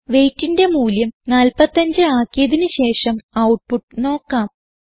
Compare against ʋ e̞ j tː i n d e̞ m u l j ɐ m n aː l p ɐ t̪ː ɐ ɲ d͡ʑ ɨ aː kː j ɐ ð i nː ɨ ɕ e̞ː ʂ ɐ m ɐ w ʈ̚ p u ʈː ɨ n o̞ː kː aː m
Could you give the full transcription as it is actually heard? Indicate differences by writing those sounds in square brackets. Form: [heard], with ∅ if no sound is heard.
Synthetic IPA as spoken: ʋ e̞ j tː i n d e̞ m [uː] l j ɐ m n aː l p ɐ t̪ː ɐ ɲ d͡ʑ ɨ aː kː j ɐ ð i [n] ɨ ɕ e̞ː ʂ ɐ m ɐ w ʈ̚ p u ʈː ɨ n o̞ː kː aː m